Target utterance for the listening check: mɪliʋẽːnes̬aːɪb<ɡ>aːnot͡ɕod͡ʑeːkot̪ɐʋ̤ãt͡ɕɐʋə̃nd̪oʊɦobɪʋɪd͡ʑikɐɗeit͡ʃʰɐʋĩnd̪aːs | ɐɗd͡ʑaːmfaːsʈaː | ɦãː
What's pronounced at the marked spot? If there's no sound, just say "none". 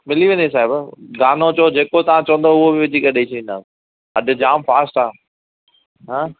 ɡ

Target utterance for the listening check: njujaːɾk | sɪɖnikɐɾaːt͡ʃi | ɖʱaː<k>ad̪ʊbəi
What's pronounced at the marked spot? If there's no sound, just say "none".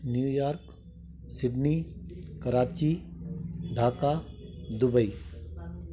k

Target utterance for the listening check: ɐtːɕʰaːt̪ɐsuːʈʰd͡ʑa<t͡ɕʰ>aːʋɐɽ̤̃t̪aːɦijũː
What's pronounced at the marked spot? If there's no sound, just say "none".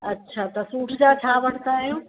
t͡ɕʰ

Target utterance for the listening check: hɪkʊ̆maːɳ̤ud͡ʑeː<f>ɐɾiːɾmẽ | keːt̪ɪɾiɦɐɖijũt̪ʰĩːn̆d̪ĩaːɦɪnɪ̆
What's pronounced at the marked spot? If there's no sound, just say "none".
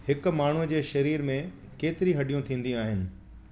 ʃ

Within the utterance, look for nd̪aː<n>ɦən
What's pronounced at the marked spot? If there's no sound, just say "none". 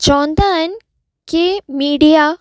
none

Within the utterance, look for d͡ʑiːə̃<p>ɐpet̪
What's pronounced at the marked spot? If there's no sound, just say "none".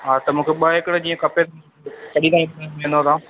k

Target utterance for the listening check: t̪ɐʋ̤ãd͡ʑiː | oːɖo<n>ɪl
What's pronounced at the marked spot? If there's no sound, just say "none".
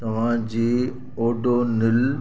n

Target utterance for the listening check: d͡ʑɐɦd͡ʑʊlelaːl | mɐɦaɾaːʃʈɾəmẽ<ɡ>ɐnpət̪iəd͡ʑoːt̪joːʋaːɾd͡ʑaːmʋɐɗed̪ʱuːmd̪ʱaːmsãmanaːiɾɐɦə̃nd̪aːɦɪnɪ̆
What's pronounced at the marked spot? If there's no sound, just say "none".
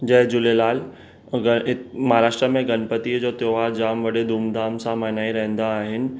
ɡ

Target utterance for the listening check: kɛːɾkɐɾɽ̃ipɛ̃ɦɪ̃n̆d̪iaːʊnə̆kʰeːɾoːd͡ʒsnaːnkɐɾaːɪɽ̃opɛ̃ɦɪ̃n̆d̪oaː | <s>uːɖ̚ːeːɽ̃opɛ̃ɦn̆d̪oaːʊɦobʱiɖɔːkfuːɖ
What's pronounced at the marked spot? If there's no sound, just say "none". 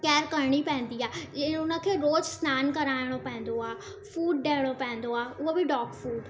f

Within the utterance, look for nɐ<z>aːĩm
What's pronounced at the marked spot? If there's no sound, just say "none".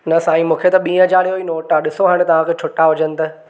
s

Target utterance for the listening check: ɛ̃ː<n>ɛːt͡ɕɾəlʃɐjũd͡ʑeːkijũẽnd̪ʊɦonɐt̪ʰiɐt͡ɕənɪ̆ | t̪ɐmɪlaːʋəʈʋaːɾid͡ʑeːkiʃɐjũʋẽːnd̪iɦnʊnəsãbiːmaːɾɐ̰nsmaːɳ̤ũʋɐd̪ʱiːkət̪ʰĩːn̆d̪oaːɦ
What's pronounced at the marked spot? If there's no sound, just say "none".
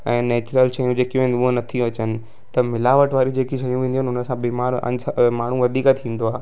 n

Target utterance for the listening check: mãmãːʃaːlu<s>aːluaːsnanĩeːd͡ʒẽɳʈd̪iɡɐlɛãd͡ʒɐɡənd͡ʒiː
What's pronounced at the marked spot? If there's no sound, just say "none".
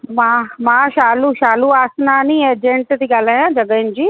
ʃ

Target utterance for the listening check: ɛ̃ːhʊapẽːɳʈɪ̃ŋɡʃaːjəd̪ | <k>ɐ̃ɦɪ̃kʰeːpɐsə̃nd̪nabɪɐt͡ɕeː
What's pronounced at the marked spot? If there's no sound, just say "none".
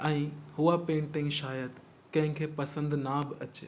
k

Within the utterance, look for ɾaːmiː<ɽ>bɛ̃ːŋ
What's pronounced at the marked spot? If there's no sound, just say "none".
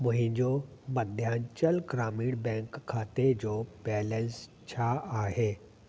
ɽ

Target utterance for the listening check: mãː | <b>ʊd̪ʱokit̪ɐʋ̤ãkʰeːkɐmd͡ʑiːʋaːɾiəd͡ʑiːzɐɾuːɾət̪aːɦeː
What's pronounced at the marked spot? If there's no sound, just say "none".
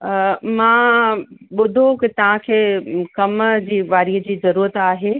ɓ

